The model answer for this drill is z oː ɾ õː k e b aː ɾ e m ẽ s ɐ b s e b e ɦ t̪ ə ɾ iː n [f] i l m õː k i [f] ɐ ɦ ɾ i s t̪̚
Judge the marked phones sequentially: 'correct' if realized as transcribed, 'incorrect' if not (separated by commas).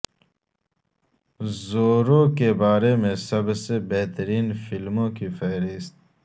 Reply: correct, correct